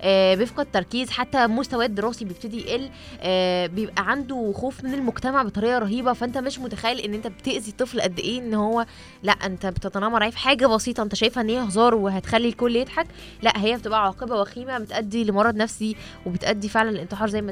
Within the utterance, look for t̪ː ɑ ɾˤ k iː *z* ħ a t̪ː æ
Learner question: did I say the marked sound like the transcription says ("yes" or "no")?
yes